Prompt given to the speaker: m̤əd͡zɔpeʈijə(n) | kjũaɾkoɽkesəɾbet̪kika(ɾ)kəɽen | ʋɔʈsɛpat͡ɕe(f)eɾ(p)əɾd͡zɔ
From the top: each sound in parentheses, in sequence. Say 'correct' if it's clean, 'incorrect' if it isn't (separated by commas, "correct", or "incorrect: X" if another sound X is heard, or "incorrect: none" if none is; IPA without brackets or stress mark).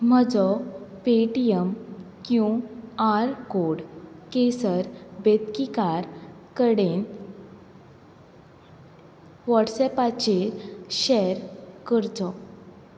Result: incorrect: m, correct, incorrect: ɕ, incorrect: k